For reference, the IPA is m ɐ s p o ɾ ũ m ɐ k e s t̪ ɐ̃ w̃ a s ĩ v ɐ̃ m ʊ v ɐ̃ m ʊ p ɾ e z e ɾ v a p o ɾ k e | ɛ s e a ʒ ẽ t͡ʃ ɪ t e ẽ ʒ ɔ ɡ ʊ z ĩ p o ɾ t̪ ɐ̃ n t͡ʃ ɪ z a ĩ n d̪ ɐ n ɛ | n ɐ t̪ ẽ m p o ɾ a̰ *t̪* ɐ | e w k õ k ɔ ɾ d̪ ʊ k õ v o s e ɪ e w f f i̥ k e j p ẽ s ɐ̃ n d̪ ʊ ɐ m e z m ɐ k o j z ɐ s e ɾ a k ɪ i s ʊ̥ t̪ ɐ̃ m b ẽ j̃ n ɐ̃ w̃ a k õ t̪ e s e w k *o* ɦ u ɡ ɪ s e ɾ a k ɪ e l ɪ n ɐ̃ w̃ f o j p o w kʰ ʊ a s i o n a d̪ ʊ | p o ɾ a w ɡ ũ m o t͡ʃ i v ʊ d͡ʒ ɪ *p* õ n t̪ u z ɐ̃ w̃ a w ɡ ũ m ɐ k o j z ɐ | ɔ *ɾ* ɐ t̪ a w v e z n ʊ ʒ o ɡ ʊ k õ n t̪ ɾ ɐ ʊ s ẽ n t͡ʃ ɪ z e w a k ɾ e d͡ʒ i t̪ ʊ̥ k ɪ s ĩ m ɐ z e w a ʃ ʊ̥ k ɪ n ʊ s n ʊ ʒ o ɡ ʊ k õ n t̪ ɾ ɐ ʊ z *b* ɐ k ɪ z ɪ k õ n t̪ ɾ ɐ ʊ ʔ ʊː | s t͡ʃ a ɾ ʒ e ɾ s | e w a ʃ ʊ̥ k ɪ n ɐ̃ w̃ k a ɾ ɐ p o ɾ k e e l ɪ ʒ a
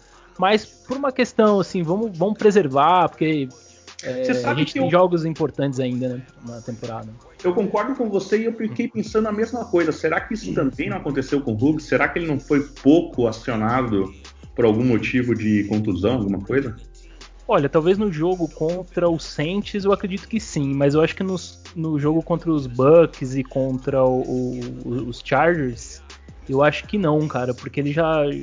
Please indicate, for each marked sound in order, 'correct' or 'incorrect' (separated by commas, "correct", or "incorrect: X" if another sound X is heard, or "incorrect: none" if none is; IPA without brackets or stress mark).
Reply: incorrect: d̪, incorrect: õ, incorrect: k, incorrect: ʎ, correct